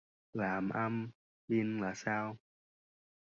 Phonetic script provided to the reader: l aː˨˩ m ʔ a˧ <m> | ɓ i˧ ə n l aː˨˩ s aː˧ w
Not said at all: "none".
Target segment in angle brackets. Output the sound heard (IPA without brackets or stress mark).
m